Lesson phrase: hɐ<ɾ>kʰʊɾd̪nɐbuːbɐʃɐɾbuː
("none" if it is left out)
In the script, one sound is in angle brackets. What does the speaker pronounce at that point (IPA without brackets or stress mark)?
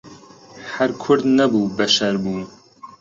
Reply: ɾ